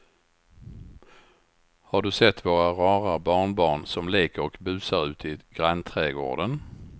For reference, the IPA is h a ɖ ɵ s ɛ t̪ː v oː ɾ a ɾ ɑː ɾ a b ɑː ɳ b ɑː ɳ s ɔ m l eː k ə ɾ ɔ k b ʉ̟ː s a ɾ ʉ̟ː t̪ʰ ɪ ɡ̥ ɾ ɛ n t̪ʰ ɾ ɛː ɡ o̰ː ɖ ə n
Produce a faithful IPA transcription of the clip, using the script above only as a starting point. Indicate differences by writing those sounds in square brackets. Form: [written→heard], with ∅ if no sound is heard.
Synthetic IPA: h a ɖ ɵ s ɛ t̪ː v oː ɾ a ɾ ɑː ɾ a b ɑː ɳ b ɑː ɳ s ɔ m l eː k ə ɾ ɔ k b ʉ̟ː s a ɾ ʉ̟ː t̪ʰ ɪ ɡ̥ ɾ [ɛ→a] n t̪ʰ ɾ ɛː ɡ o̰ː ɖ ə n